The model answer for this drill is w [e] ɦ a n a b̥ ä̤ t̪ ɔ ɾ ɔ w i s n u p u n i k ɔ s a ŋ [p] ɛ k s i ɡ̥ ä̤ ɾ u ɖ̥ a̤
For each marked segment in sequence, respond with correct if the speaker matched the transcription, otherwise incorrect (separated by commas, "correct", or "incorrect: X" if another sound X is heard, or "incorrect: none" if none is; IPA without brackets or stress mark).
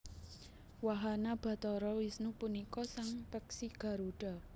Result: incorrect: a, correct